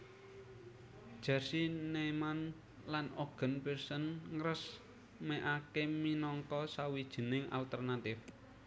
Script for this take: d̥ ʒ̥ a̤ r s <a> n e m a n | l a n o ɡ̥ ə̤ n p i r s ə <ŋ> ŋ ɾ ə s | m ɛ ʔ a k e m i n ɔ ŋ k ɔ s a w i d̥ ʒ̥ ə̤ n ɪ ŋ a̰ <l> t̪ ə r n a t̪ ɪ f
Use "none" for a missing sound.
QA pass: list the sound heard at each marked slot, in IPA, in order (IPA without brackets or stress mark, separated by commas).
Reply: i, n, l